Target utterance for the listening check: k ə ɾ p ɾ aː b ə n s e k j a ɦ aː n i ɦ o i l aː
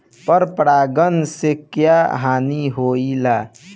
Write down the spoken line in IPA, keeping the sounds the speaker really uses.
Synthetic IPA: p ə ɾ p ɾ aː ɡ ə n s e k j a ɦ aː n i ɦ o i l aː